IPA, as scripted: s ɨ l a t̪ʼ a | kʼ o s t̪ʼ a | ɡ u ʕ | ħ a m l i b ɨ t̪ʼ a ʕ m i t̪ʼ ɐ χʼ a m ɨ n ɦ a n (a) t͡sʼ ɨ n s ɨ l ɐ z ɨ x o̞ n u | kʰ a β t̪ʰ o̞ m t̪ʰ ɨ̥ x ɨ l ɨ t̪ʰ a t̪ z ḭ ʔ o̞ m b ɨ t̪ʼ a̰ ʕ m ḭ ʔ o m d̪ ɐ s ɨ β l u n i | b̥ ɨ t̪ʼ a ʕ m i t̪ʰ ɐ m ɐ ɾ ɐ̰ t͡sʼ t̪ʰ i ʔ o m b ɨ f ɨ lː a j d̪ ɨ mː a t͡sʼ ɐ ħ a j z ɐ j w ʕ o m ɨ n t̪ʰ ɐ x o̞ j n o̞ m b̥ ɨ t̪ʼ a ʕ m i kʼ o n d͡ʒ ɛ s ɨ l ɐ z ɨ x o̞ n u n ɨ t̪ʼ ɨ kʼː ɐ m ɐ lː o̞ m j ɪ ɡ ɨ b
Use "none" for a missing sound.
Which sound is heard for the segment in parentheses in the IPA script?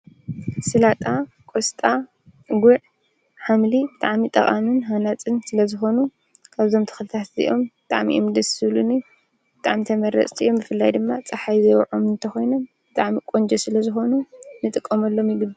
a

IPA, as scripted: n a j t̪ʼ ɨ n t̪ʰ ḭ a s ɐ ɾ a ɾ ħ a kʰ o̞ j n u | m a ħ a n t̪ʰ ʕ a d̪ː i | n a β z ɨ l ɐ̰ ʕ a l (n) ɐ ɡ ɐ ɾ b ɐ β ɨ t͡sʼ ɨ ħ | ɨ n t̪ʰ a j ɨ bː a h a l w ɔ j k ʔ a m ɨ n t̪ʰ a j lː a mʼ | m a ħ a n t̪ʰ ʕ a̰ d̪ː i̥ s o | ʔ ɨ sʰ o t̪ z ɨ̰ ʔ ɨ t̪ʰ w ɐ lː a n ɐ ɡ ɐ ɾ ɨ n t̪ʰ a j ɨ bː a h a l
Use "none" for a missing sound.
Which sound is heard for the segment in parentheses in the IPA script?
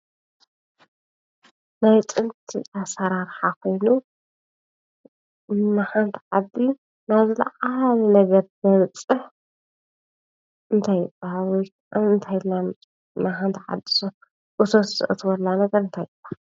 n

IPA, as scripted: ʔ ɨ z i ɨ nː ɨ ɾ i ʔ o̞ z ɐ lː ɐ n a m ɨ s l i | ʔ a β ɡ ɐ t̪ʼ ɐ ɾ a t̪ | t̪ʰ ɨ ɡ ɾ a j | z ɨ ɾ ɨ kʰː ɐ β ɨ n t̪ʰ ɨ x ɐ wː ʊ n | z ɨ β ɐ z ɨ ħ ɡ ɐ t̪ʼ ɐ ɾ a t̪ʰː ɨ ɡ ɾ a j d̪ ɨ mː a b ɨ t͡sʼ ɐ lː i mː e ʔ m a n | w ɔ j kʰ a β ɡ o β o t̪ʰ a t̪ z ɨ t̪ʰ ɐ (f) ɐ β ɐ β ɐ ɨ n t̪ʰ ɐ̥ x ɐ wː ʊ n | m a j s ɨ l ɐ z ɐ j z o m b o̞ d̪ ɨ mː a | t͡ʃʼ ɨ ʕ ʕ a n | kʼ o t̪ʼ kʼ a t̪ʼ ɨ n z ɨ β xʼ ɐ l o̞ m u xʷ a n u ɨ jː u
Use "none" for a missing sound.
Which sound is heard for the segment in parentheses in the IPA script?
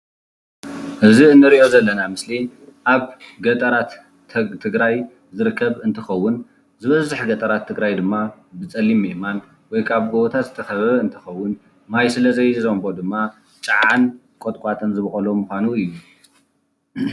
x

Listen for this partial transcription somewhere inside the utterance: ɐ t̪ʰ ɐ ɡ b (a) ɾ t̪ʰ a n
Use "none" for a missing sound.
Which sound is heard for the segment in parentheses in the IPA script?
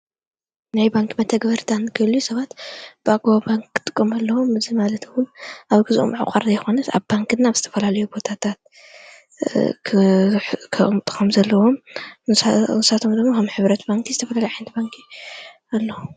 ɐ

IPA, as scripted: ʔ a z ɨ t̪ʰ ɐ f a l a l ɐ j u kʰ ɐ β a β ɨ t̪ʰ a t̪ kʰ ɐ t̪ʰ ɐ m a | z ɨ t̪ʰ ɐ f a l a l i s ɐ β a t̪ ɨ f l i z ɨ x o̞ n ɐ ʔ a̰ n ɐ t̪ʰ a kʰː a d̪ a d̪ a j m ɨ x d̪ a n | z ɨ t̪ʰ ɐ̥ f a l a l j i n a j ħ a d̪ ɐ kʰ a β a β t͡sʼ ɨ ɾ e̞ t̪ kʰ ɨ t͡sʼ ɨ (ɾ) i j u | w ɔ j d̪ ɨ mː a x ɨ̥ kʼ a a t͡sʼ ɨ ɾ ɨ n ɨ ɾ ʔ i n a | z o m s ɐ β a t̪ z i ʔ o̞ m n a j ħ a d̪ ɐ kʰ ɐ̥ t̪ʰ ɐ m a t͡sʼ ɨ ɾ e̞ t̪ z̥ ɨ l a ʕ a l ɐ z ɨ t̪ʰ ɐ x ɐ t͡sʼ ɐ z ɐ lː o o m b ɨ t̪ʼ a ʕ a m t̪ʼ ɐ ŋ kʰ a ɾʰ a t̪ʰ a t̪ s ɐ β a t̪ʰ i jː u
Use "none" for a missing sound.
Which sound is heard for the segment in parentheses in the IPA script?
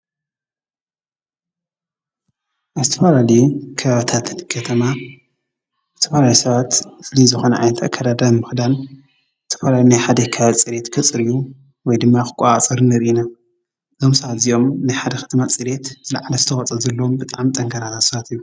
ɾ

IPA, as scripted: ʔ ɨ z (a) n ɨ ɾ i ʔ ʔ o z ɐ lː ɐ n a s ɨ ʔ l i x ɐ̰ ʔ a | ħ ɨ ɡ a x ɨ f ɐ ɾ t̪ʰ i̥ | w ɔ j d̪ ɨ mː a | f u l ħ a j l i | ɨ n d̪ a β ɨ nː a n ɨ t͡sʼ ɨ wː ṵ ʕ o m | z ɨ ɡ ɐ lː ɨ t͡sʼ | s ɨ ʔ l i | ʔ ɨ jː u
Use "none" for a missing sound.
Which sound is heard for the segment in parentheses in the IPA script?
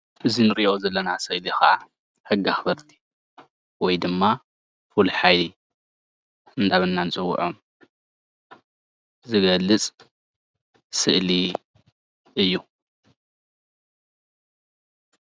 i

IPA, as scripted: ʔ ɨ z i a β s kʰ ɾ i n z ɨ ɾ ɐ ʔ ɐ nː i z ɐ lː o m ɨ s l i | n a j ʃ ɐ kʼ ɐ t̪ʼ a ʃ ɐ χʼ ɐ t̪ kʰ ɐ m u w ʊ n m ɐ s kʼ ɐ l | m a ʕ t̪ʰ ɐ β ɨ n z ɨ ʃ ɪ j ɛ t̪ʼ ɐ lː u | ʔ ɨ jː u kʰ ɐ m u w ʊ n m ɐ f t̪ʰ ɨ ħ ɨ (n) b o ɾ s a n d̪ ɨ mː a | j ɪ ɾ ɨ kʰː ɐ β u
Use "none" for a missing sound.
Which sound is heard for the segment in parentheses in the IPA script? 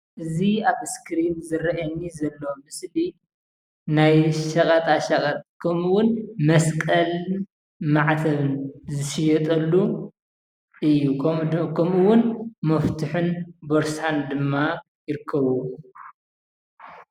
n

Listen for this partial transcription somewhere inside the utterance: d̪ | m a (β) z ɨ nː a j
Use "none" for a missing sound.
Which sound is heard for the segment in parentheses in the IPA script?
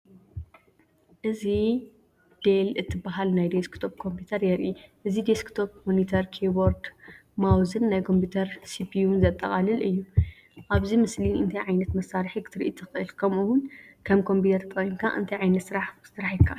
w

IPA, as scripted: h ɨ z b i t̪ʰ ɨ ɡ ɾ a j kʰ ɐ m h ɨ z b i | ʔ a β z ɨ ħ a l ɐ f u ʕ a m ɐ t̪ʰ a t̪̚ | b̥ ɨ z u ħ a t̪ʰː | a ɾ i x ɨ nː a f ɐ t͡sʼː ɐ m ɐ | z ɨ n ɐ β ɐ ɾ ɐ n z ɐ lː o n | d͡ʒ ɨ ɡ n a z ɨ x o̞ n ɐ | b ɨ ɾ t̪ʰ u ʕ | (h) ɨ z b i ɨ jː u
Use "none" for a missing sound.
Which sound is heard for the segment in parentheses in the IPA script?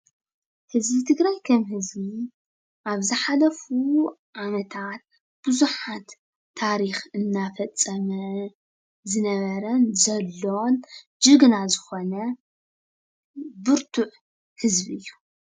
h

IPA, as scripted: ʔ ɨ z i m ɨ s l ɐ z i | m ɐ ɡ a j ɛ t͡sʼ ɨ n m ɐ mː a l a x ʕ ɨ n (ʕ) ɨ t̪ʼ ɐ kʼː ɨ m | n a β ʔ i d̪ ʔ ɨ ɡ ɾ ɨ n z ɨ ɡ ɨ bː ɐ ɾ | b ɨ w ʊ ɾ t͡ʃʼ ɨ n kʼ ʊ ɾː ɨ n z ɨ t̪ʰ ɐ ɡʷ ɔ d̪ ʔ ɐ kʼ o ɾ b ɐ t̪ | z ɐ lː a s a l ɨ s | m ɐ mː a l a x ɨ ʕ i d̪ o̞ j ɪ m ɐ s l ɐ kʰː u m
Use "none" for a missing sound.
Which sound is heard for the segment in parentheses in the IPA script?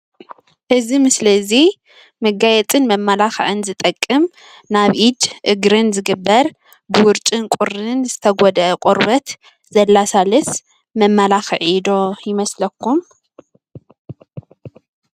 z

